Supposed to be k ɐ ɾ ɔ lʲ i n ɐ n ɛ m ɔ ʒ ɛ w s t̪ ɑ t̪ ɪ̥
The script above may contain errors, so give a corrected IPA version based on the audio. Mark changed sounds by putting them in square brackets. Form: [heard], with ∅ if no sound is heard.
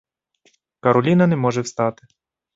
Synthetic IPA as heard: k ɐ ɾ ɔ lʲ i n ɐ n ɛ m ɔ ʒ ɛ w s t̪ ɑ t̪ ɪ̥